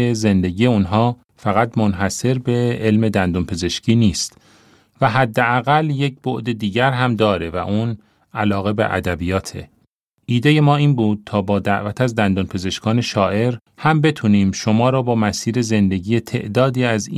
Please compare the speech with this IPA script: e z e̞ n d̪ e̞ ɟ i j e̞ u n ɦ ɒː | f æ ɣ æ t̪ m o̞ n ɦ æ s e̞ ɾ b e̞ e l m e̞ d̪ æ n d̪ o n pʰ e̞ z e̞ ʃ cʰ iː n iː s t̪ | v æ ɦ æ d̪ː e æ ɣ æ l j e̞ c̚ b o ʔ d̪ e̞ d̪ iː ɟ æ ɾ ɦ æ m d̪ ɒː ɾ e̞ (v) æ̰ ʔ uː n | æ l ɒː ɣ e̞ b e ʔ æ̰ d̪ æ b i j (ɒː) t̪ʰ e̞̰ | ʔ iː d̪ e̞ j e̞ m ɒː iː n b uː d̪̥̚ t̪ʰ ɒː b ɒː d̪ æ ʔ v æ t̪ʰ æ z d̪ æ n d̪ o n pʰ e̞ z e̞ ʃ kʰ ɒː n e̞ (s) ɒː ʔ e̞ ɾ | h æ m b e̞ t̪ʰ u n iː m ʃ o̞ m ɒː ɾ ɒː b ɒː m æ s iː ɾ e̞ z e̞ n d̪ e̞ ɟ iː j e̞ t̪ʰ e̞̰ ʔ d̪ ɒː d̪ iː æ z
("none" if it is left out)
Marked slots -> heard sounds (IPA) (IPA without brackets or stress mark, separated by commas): v, ɒː, ʃ